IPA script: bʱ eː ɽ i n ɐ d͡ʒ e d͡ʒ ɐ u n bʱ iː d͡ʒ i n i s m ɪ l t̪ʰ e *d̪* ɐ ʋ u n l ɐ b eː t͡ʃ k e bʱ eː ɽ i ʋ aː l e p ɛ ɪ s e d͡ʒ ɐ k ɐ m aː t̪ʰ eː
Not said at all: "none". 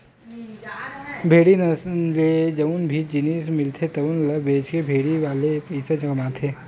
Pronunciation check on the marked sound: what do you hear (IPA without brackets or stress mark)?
t̪